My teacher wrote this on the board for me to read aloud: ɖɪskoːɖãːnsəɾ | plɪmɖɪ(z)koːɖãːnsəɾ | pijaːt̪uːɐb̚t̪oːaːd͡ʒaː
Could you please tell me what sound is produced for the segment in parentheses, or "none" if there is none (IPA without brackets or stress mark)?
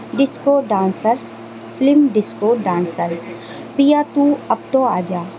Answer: s